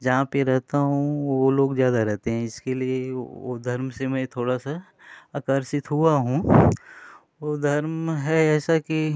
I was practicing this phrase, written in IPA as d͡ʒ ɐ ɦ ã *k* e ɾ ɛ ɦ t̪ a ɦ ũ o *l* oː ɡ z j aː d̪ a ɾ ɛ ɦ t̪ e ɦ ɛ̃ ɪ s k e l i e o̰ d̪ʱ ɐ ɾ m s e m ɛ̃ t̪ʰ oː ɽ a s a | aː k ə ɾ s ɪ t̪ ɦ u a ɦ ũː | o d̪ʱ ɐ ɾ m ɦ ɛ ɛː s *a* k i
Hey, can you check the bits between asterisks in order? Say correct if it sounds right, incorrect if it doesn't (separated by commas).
incorrect, correct, correct